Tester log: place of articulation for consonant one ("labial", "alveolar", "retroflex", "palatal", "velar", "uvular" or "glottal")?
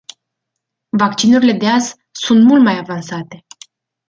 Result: labial